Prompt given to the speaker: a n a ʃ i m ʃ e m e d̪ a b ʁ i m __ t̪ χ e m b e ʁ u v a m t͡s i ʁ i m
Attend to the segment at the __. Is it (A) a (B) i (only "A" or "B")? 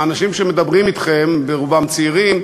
B